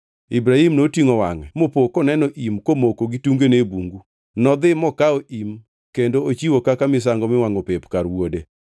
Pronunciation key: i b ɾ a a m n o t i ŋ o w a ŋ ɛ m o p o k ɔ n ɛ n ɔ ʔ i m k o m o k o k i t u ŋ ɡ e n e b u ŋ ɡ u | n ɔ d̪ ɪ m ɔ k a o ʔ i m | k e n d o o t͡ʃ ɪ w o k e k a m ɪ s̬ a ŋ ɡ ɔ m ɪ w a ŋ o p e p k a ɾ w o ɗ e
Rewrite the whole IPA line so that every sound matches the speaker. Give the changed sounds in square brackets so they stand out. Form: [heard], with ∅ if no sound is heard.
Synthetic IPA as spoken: i b ɾ a [i] m n o t i ŋ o w a ŋ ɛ m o p o k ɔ n ɛ n ɔ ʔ i m k o m o k o [ɡ] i t u ŋ ɡ e n e b u ŋ ɡ u | n ɔ d̪ ɪ m ɔ k a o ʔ i m | k e n d o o t͡ʃ [i] w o k [a] k a m ɪ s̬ a ŋ ɡ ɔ m ɪ w a ŋ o p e p k a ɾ w o [d] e